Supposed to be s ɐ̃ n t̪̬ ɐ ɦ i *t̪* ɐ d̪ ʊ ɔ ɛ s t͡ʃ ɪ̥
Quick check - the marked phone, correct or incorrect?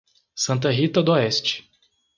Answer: correct